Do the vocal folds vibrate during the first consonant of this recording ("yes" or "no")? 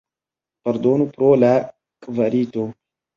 no